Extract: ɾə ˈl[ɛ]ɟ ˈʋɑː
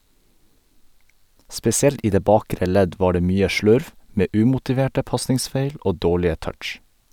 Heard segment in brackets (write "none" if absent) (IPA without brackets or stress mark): ɛ